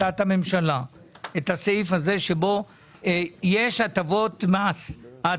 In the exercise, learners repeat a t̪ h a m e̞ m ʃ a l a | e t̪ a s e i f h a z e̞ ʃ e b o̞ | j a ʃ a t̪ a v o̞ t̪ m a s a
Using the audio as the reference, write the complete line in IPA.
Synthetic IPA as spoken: a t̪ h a m e̞ m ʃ a l a | e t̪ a s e i f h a z e̞ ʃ e b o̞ | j e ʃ a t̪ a v o̞ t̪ m a s a